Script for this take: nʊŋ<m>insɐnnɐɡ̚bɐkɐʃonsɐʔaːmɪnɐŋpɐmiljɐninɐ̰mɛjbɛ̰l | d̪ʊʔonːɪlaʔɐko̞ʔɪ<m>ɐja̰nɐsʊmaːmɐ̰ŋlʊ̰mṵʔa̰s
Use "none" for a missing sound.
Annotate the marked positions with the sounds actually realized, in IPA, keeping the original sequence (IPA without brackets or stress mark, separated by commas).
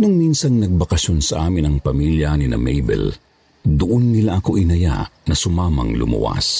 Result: m, n